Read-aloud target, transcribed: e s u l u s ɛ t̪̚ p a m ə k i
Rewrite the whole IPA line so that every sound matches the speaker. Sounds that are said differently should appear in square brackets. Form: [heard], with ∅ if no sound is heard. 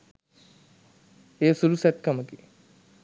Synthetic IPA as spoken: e s u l u s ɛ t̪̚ [k] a m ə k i